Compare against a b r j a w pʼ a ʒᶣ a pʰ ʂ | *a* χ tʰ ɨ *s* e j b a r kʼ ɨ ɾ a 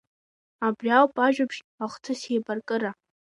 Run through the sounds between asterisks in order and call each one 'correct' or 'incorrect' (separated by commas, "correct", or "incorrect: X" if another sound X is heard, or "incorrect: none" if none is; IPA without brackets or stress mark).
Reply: correct, correct